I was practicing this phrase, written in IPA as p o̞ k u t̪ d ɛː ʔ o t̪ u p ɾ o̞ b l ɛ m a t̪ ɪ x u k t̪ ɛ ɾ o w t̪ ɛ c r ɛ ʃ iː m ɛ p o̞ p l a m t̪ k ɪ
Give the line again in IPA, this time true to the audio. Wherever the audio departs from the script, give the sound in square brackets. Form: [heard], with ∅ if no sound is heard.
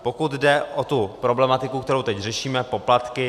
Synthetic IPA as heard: p o̞ k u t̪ d [ɛ] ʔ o t̪ u p ɾ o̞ b l ɛ m a t̪ ɪ [k] u k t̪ ɛ ɾ o w t̪ ɛ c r ɛ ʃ iː m ɛ p o̞ p l a [∅] t̪ k ɪ